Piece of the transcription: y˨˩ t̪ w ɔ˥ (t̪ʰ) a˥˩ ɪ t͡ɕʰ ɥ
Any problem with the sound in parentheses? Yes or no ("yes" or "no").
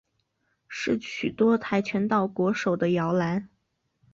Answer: no